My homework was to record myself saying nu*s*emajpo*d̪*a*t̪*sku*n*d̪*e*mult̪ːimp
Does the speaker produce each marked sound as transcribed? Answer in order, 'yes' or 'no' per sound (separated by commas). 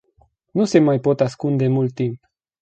yes, no, no, yes, yes